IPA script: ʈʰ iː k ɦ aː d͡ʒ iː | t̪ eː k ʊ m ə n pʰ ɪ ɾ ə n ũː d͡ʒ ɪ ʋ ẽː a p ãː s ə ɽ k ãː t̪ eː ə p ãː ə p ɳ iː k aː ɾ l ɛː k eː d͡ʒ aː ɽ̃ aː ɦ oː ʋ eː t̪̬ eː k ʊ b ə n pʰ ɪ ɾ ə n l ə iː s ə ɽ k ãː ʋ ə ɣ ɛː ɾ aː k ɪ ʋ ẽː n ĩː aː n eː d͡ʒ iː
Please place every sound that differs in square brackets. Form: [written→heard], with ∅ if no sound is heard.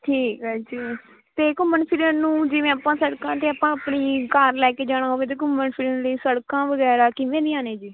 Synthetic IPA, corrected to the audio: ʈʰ iː k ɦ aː d͡ʒ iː | t̪ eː k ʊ m ə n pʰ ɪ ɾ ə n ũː d͡ʒ ɪ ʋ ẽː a p ãː s ə ɽ k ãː t̪ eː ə p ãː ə p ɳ iː k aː ɾ l ɛː k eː d͡ʒ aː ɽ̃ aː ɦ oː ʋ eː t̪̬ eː k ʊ [b→m] ə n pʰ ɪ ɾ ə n l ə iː s ə ɽ k ãː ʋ ə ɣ ɛː ɾ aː k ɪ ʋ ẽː n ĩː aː n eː d͡ʒ iː